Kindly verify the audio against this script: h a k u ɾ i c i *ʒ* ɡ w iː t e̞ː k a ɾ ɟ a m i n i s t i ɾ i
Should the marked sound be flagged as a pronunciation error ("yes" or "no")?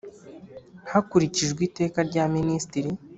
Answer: no